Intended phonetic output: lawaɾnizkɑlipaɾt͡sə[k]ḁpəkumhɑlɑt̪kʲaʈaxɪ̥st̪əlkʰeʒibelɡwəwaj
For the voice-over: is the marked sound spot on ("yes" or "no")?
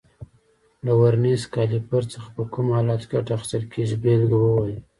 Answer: no